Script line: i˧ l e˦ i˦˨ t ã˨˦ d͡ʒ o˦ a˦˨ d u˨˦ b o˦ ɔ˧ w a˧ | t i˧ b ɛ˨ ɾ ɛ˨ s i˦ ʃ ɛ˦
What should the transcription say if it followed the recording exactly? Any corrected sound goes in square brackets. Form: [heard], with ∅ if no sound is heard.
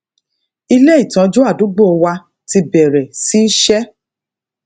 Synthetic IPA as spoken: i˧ l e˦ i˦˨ t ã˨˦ d͡ʒ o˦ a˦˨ d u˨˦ [ɡ͡b] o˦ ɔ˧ w a˧ | t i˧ b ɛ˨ ɾ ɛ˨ s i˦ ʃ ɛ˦